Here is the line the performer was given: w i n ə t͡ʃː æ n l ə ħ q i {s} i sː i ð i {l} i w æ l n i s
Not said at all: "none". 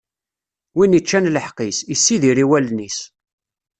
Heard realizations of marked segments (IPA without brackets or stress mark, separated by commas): s, ɾ